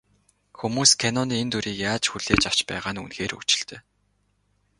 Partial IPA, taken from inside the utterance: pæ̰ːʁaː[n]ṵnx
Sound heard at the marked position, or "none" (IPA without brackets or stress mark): n